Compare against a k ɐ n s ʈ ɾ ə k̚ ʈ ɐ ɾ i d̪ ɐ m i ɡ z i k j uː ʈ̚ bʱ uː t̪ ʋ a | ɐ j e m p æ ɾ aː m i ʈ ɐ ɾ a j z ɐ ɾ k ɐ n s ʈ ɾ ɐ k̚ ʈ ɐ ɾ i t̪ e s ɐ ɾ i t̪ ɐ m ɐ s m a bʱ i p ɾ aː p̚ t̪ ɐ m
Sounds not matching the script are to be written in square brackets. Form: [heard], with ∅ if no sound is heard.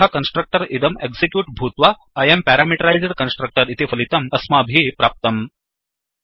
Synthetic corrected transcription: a k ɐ n s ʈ ɾ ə k̚ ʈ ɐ ɾ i d̪ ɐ m [e] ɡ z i k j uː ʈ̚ bʱ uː t̪ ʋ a | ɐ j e m p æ ɾ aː m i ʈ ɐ ɾ a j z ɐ ɾ k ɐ n s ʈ ɾ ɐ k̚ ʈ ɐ ɾ i t̪ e [f] ɐ [l] i t̪ ɐ m ɐ s m a bʱ i p ɾ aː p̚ t̪ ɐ m